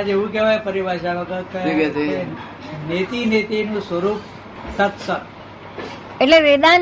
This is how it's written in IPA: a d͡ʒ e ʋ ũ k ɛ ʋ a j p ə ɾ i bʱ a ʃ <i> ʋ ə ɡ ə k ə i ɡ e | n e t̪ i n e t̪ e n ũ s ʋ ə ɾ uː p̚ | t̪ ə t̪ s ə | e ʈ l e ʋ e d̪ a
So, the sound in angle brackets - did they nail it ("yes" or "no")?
no